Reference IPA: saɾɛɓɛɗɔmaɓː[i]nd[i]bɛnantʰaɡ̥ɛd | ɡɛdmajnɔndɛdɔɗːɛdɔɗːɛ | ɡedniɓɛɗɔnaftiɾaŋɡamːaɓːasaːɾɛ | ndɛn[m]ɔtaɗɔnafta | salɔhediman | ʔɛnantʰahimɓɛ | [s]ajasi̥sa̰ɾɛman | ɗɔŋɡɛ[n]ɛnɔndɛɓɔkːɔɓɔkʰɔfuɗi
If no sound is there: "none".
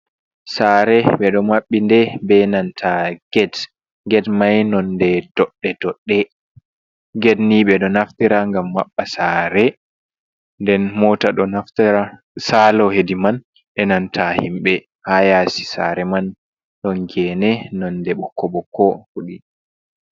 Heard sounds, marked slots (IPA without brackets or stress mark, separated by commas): i, ɛ, m, h, n